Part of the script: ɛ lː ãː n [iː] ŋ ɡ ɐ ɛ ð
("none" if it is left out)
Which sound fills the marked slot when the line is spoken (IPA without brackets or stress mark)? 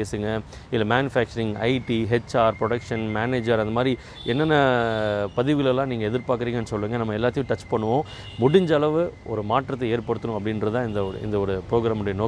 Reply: iː